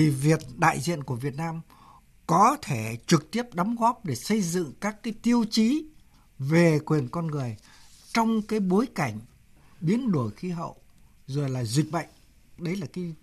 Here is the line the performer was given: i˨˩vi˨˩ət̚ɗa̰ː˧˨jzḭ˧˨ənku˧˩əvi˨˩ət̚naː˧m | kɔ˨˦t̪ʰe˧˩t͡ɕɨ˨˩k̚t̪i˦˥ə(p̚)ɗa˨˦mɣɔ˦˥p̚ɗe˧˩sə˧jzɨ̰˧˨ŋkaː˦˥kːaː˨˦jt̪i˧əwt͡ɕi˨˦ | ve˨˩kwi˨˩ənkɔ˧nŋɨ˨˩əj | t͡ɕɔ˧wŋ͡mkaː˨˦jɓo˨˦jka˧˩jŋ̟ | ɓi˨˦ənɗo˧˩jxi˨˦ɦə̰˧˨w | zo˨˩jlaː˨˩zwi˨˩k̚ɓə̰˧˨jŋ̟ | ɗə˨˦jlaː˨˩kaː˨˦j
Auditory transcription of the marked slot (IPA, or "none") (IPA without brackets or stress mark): p̚